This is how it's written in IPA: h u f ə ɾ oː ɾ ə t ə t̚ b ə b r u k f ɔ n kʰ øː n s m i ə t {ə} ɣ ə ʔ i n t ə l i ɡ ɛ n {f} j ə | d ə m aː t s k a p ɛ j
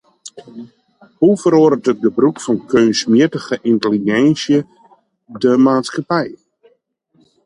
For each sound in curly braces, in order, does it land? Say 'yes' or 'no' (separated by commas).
yes, no